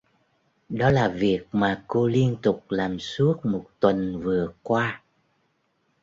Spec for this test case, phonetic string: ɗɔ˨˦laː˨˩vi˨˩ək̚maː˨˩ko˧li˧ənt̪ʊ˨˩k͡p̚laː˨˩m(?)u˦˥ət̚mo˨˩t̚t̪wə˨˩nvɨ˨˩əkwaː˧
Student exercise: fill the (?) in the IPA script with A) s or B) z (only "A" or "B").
A